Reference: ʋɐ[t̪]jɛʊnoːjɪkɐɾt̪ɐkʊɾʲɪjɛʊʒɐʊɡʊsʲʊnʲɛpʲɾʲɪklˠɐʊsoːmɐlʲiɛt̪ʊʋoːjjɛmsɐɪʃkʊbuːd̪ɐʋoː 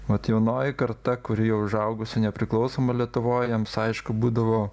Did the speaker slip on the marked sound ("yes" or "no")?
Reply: no